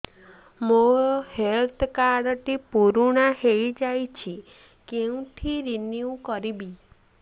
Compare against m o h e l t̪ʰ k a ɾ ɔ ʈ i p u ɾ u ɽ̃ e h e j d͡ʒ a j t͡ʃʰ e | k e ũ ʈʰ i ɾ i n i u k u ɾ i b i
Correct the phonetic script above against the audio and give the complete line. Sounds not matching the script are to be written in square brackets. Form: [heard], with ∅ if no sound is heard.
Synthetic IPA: m o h e l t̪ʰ k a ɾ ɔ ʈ i p u ɾ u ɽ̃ [a] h e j d͡ʒ a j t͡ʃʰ [i] | k e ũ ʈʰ i ɾ i n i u k [ɔ] ɾ i b i